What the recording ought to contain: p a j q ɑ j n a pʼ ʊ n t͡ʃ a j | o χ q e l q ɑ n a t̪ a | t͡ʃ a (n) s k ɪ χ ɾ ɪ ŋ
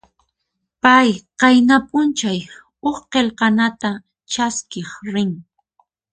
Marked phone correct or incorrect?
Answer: incorrect